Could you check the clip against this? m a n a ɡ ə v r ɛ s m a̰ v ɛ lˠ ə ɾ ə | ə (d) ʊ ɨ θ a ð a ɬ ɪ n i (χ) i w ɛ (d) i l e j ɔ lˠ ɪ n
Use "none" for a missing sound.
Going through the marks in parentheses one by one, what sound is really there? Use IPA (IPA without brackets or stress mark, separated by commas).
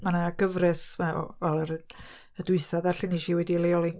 d, ʃ, d